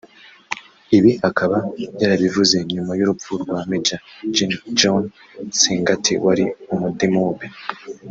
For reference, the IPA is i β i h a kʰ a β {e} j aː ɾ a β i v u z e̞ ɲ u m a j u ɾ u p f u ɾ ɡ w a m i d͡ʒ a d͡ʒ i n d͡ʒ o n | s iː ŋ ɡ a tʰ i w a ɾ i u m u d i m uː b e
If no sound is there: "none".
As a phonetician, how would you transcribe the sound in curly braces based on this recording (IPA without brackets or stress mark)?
a